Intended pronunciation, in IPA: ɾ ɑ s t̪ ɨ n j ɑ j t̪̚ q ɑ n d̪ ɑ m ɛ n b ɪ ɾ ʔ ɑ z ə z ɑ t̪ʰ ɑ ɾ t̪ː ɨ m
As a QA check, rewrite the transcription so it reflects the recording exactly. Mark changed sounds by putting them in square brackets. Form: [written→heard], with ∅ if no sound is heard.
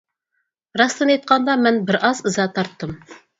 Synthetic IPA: ɾ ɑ s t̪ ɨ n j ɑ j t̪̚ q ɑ n d̪ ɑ m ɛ n b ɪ ɾ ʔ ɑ z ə z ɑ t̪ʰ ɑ ɾ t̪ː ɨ m